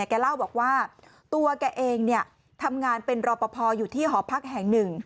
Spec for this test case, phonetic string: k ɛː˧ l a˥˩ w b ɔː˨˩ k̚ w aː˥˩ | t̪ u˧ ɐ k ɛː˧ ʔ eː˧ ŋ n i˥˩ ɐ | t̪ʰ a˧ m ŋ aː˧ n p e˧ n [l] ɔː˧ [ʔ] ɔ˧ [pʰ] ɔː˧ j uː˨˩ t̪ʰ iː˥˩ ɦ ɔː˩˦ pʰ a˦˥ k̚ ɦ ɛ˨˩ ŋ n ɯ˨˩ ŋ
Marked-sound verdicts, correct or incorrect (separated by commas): incorrect, incorrect, correct